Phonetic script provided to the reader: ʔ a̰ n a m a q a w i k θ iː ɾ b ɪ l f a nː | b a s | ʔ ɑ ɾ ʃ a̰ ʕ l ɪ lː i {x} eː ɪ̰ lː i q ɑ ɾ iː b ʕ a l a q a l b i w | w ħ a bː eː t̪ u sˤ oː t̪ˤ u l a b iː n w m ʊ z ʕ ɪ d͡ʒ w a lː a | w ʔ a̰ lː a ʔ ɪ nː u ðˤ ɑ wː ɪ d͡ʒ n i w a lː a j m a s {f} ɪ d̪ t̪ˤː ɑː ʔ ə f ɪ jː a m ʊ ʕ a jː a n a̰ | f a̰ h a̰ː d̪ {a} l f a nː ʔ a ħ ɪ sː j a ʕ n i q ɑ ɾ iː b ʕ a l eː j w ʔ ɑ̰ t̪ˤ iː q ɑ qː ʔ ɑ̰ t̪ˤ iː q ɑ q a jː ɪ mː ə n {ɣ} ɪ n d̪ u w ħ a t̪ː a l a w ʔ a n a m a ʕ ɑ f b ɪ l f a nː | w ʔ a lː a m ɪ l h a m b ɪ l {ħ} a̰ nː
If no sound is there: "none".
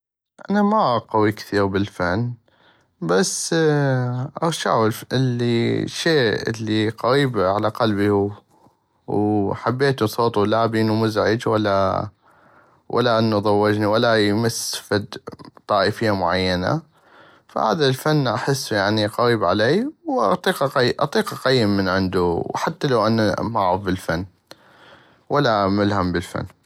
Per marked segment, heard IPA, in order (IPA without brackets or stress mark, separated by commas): ʃ, f, a, ʕ, f